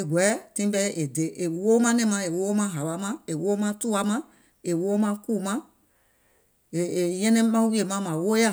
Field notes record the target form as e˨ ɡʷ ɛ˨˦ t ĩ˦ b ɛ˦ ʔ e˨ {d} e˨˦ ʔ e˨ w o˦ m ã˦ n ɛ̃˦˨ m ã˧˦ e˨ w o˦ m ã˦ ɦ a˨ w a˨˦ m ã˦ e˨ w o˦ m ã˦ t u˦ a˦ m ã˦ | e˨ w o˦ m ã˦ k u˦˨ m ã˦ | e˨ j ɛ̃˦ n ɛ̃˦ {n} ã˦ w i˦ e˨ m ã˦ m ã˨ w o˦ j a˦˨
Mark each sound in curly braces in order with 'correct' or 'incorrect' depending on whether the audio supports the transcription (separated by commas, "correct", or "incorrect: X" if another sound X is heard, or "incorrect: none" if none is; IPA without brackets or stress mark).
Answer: correct, incorrect: m